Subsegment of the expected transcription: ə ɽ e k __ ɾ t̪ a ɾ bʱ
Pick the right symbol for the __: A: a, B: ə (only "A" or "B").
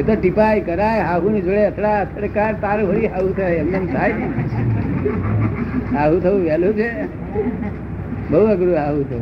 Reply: A